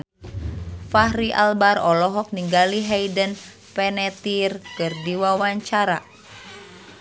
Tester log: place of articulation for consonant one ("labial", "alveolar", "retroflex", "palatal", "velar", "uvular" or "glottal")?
labial